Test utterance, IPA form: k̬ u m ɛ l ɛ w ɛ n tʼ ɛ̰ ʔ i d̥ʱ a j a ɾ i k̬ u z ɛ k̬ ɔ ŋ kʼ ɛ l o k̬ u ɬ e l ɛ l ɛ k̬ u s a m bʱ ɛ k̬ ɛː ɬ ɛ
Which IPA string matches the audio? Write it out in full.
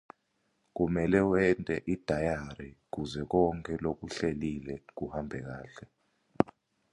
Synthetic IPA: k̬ u m ɛ l ɛ w ɛ n tʼ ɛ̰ ʔ i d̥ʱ a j a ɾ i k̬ u z ɛ k̬ ɔ ŋ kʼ ɛ l o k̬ u ɬ e l i l ɛ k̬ u h a m bʱ ɛ k̬ aː ɬ ɛ